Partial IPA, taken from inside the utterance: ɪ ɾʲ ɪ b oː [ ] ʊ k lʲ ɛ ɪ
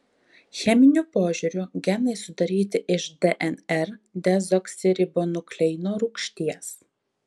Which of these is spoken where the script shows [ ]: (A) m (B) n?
B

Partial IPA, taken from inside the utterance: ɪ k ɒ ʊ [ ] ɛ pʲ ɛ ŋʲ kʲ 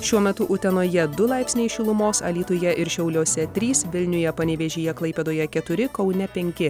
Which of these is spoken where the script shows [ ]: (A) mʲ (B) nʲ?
B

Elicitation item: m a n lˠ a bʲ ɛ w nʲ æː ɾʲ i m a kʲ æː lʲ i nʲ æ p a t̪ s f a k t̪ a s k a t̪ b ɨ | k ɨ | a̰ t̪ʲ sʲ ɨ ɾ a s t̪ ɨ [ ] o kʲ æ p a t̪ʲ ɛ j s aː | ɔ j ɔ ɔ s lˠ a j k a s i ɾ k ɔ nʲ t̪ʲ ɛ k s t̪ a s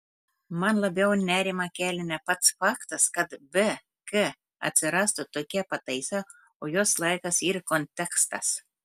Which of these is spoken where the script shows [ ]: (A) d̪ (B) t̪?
B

